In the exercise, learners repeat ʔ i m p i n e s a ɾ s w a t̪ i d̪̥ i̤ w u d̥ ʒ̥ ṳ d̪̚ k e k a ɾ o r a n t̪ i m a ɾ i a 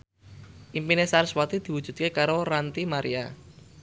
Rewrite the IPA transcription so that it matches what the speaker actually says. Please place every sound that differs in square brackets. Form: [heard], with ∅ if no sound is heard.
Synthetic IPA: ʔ i m p i n e s a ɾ s w a t̪ i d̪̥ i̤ w u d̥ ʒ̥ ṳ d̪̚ k e k a ɾ o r a n t̪ i m a ɾ i a